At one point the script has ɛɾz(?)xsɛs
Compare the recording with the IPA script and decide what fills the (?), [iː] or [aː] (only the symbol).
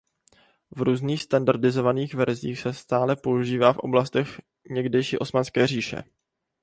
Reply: iː